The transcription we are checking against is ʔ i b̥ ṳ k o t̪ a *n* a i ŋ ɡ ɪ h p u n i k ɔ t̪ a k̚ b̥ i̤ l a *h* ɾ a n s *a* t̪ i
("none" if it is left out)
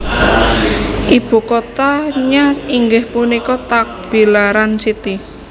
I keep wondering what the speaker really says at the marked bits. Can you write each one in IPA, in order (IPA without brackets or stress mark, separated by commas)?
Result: ɲ, none, i